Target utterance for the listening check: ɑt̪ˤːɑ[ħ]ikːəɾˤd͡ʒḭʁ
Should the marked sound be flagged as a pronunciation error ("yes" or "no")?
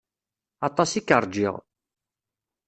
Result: yes